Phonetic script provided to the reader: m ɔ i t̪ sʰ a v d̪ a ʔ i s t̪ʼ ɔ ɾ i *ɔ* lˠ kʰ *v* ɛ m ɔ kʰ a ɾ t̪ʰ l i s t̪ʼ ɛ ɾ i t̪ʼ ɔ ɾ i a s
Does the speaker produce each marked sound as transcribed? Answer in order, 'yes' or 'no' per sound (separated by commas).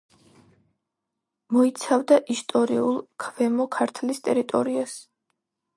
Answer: no, yes